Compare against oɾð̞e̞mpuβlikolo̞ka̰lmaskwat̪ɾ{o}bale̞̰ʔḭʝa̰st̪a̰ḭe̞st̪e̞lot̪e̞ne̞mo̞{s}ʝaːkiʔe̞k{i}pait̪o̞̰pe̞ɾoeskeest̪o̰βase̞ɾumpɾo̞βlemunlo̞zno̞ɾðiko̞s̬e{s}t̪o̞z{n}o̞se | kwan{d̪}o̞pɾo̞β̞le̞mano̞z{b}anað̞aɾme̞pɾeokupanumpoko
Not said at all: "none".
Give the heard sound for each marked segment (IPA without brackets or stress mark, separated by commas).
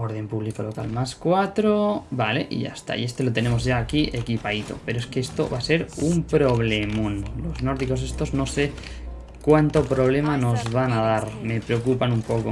o, z, i, s, n, t̪, β